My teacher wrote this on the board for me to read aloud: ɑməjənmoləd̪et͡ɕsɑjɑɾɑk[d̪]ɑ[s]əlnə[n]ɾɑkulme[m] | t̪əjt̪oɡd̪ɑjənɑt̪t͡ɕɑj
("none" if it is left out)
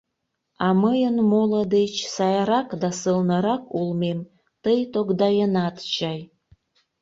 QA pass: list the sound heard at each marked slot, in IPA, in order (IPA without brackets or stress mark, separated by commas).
d̪, s, none, m